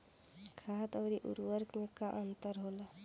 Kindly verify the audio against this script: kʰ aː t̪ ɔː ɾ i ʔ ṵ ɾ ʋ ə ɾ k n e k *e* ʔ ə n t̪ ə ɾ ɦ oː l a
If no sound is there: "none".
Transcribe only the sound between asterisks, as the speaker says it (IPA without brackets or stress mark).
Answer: a